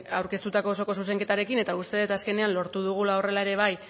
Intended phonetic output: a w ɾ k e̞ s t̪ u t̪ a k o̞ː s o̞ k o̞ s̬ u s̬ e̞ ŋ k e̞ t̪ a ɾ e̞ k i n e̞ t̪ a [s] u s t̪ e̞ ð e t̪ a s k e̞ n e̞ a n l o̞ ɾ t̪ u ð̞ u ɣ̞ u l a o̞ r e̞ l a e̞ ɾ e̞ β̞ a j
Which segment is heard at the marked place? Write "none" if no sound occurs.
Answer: none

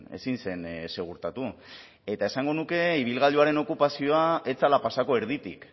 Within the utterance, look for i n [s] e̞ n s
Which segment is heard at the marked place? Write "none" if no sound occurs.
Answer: s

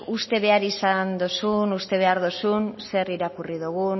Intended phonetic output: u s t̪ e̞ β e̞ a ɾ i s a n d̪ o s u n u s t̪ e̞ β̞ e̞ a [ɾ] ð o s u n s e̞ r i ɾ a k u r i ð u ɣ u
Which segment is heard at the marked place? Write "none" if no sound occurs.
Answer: ɾ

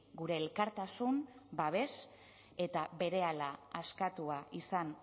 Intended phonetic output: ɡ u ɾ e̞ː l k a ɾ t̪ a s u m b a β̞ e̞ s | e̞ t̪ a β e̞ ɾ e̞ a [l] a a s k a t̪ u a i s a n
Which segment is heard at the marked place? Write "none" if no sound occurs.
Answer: l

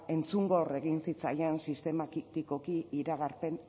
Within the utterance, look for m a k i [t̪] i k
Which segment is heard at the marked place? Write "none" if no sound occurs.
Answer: t̪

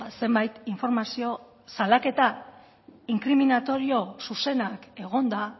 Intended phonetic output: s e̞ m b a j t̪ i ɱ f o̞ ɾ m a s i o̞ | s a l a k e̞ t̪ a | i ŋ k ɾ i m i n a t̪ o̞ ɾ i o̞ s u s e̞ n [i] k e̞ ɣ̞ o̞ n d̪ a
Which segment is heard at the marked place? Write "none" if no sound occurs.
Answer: a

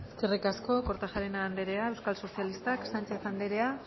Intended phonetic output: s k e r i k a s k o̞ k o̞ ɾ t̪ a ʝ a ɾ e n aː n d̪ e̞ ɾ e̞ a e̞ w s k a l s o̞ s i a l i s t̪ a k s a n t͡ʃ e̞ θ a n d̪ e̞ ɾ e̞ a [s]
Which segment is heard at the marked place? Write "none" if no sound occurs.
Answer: none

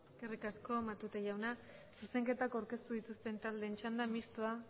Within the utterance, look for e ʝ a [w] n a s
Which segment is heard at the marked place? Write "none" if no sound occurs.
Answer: w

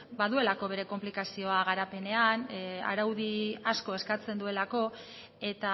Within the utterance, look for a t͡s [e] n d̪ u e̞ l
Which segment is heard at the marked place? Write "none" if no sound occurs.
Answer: e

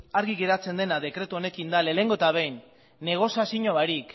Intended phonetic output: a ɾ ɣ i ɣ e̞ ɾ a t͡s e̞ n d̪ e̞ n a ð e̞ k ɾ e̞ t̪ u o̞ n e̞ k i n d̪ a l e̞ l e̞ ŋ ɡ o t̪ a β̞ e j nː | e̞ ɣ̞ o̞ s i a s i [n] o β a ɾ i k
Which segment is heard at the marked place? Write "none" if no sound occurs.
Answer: ɲ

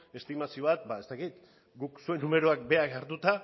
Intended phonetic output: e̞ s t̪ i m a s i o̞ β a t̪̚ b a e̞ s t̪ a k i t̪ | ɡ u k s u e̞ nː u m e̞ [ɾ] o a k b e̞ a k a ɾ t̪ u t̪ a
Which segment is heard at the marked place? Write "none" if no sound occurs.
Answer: ɾ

